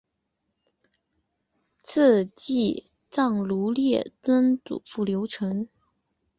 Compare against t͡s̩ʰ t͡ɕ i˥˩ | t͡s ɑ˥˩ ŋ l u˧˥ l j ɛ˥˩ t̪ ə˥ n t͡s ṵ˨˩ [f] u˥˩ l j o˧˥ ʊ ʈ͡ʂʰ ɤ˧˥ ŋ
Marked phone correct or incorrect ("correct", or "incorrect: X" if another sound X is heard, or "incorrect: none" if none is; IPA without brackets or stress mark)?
correct